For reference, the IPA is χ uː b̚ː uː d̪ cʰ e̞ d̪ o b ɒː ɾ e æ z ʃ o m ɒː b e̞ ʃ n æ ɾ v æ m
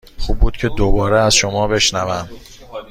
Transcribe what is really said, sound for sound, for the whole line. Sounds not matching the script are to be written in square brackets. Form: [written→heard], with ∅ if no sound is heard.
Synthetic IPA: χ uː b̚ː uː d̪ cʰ e̞ d̪ o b ɒː ɾ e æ z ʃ o m ɒː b e̞ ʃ n æ [ɾ→∅] v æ m

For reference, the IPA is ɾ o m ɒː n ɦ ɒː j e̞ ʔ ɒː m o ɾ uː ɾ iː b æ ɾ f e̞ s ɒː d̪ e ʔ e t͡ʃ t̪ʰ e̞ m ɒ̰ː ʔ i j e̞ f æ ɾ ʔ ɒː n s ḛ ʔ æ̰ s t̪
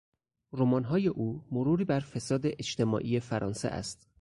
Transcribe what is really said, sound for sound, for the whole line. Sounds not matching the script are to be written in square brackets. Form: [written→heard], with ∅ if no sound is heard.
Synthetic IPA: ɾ o m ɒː n ɦ ɒː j e̞ ʔ [ɒː→uː] m o ɾ uː ɾ iː b æ ɾ f e̞ s ɒː d̪ e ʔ e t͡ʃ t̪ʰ e̞ m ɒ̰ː ʔ i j e̞ f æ ɾ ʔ ɒː n s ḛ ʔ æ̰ s t̪

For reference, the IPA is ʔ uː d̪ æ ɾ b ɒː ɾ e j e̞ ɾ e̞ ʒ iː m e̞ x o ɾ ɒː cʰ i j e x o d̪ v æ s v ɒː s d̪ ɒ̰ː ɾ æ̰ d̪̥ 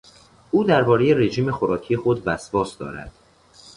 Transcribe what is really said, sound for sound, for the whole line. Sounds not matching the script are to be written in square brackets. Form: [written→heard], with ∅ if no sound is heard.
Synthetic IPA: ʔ uː d̪ æ ɾ b ɒː ɾ e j e̞ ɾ e̞ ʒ iː m e̞ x o ɾ ɒː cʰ i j e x o d̪ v æ s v ɒː s d̪ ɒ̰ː ɾ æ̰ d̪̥

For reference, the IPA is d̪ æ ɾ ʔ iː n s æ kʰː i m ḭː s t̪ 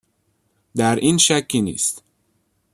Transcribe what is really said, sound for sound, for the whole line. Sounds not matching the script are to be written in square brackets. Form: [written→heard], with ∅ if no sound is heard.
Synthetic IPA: d̪ æ ɾ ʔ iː n [s→ʃ] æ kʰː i [m→n] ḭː s t̪

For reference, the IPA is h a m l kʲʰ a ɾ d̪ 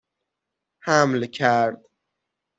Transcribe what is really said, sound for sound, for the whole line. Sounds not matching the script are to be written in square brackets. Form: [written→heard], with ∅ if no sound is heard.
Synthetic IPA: h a m l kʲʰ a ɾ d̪

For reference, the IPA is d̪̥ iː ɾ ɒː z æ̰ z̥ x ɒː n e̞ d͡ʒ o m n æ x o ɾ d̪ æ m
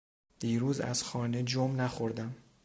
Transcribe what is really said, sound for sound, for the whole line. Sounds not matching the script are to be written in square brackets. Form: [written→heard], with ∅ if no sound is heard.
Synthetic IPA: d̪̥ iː ɾ [ɒː→uː] z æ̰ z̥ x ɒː n e̞ d͡ʒ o m n æ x o ɾ d̪ æ m

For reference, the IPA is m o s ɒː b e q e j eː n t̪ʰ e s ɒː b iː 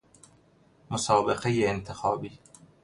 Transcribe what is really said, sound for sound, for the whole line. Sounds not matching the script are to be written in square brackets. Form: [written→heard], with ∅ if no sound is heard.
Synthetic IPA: m o s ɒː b e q e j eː n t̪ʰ e [s→x] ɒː b iː

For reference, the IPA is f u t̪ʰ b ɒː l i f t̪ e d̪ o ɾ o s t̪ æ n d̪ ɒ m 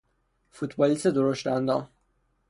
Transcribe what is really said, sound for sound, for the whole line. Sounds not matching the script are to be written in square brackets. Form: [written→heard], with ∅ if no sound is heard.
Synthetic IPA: f u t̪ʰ b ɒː l i [f→s] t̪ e d̪ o ɾ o [s→ʃ] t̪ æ n d̪ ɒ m

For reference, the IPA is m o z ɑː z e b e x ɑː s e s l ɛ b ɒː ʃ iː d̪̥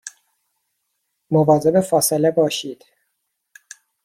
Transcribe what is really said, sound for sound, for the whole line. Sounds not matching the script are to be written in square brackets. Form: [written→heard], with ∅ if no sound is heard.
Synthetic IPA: m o [z→v] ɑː z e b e [x→f] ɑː s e [s→∅] l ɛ b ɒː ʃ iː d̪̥

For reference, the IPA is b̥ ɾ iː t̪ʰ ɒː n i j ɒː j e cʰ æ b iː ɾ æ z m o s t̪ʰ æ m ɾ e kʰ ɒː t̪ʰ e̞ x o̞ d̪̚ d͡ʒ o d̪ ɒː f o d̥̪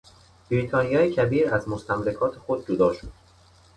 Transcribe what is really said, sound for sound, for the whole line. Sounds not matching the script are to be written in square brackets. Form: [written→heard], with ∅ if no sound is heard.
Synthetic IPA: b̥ ɾ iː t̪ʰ ɒː n i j ɒː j e cʰ æ b iː ɾ æ z m o s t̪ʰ æ m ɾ e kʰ ɒː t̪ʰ e̞ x o̞ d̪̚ d͡ʒ o d̪ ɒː [f→ʃ] o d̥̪

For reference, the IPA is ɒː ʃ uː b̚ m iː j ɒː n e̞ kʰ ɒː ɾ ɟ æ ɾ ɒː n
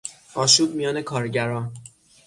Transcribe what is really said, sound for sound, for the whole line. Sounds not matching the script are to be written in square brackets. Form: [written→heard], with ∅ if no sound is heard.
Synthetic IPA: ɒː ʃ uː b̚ m [iː→i] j ɒː n e̞ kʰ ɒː ɾ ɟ æ ɾ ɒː n

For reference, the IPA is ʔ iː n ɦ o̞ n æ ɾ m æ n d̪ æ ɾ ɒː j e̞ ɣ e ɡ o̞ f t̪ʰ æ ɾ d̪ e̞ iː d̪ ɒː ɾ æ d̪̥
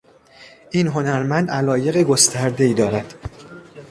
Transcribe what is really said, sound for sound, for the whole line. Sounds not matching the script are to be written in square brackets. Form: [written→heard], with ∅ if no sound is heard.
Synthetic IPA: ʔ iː n ɦ o̞ n æ ɾ m æ n d̪ æ [ɾ→l] ɒː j e̞ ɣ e ɡ o̞ [f→s] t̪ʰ æ ɾ d̪ e̞ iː d̪ ɒː ɾ æ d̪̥

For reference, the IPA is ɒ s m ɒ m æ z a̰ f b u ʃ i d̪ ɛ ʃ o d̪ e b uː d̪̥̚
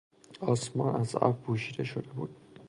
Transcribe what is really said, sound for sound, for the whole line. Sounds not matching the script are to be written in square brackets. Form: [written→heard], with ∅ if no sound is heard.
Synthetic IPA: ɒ s m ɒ [m→n] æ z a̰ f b u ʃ i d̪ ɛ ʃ o d̪ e b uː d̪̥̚

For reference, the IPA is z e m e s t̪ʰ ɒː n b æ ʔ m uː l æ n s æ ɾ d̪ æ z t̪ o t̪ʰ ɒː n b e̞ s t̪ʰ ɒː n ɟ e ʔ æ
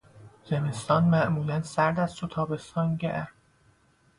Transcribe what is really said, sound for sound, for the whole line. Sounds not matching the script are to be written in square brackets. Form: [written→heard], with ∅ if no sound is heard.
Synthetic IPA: z e m e s [t̪ʰ→t̪] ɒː n [b→m] æ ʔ m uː l æ n s æ ɾ d̪ æ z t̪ o t̪ʰ ɒː [n→∅] b e̞ s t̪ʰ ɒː n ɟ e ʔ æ

